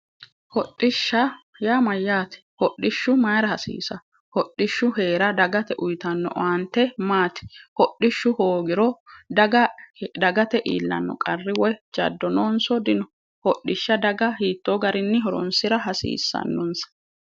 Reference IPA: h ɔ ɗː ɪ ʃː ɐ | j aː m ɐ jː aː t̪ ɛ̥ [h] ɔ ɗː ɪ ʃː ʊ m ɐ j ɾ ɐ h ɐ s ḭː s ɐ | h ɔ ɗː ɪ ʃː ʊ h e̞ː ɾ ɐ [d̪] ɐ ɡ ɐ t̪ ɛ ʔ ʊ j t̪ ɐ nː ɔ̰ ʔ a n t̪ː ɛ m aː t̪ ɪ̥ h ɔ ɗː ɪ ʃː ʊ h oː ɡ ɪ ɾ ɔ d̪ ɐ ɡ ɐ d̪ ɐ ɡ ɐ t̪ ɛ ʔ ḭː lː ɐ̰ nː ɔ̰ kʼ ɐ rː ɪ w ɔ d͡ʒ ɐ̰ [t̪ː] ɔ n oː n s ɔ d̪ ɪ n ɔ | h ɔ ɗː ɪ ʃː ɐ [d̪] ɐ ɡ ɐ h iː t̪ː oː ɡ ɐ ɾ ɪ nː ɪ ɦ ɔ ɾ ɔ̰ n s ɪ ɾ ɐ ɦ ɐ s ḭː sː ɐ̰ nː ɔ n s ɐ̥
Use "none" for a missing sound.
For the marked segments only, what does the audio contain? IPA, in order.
h, d̪, d̪ː, d̪

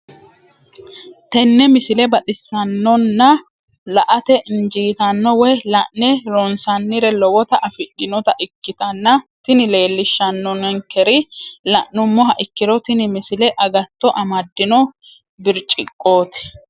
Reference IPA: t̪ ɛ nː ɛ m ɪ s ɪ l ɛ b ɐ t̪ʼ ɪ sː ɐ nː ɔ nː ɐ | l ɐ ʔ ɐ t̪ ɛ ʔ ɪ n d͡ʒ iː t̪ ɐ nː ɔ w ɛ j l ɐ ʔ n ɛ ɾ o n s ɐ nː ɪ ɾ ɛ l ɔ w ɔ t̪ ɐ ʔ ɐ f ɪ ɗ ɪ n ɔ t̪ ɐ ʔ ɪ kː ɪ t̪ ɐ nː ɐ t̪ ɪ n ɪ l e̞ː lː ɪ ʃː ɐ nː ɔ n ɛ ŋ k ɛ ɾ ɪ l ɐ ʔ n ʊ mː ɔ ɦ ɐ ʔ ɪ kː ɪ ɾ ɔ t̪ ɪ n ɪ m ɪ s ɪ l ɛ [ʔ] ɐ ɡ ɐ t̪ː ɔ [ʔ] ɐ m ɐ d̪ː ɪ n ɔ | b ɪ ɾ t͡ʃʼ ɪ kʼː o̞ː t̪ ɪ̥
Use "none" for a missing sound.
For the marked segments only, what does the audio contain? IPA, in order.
ʔ, ʔ

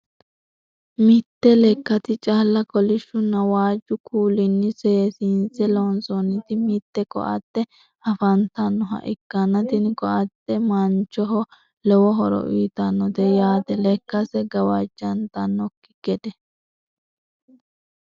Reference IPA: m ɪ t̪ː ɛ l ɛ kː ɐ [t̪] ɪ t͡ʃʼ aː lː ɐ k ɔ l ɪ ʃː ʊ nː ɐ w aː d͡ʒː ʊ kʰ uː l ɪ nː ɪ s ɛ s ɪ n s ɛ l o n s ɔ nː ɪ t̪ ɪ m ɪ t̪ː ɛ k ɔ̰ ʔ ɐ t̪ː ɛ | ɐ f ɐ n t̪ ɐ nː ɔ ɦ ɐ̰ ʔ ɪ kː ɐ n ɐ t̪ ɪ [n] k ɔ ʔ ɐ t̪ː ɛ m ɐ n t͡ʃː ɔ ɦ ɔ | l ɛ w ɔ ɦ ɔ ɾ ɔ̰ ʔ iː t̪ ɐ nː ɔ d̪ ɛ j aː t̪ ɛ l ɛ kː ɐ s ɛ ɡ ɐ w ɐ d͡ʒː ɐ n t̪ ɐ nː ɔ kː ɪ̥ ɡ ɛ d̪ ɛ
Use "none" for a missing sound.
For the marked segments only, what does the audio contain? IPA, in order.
t̪, n

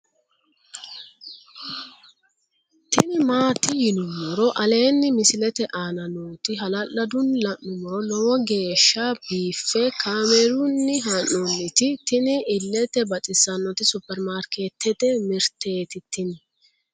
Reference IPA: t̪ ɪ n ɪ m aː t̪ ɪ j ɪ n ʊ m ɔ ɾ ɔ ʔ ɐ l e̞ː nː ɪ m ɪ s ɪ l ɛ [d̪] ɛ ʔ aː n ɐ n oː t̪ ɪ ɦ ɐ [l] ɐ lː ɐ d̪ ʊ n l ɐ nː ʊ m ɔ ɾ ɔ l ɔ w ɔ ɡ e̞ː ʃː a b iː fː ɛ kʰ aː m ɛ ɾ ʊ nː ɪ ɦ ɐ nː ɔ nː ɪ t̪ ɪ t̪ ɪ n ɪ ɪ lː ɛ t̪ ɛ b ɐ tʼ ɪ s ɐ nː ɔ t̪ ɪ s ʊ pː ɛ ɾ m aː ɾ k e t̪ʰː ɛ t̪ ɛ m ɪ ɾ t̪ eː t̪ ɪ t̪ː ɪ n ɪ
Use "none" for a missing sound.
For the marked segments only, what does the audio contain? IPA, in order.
t̪, l

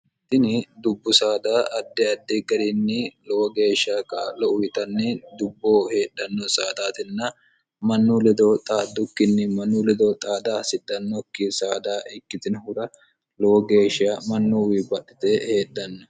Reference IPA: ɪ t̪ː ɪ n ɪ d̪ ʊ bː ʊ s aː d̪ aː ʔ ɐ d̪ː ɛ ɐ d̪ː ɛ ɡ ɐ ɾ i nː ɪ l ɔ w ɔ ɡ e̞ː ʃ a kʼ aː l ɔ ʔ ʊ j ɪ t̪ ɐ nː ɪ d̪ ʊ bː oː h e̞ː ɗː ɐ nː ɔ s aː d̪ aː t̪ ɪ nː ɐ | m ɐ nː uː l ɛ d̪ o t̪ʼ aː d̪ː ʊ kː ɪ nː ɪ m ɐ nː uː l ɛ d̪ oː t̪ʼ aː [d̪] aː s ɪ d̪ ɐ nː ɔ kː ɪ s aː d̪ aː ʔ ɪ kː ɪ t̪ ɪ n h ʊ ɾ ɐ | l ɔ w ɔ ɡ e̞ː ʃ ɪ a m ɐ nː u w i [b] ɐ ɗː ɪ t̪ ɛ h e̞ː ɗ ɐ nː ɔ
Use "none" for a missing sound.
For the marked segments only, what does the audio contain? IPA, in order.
d̪, b

